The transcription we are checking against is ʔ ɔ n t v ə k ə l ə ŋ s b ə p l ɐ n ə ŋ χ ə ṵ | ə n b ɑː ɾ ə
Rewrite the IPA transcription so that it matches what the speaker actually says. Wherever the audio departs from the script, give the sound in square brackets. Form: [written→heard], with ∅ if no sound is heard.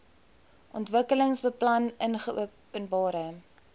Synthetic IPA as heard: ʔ ɔ n t v ə k ə l ə ŋ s b ə p l ɐ n ə [ŋ→n] χ ə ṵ | ə n b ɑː ɾ ə